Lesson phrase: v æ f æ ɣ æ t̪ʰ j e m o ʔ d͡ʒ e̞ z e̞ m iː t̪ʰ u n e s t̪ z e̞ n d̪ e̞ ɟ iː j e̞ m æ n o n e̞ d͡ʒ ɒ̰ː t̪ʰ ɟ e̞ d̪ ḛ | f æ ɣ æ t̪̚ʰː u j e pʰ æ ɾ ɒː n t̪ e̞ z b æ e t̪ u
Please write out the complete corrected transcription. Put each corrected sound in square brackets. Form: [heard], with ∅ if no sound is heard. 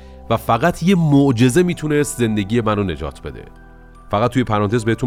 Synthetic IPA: v æ f æ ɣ æ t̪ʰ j e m o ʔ d͡ʒ e̞ z e̞ m iː t̪ʰ u n e s t̪ z e̞ n d̪ e̞ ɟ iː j e̞ m æ n o n e̞ d͡ʒ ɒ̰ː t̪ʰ [b] e̞ d̪ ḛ | f æ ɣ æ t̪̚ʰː u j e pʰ æ ɾ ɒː n t̪ e̞ z b [e] e t̪ u